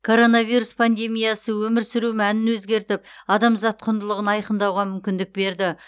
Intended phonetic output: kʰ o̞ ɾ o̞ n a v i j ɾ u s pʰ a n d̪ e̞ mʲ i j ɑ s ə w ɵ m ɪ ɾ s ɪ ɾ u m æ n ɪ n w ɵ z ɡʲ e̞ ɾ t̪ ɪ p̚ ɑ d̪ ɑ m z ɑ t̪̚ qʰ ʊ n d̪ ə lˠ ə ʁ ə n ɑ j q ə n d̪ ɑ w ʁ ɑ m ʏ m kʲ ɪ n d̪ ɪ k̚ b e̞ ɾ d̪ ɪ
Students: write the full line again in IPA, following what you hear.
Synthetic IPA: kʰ o̞ ɾ o̞ n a v i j ɾ u s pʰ a n d̪ e̞ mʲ i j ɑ s ə w ɵ m ɪ ɾ s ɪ ɾ u m æ n ɪ n w ɵ z ɡʲ e̞ ɾ t̪ ɪ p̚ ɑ d̪ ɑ m z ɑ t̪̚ qʰ ʊ n d̪ ə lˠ ə ʁ ə n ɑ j q ə n d̪ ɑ w ʁ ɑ m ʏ m kʲ ɪ n d̪ ɪ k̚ b e̞ ɾ d̪ ɪ